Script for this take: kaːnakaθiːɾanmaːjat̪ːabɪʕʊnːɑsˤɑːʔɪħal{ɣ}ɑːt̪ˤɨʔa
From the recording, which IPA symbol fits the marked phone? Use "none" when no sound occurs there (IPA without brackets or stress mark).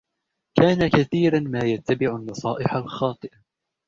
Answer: x